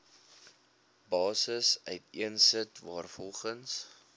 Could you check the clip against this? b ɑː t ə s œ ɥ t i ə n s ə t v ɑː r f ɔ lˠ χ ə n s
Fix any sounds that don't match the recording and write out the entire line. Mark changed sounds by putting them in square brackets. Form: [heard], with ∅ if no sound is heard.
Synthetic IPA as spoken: b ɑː [s] ə s œ ɥ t i ə n s ə t v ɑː r f ɔ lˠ χ ə n s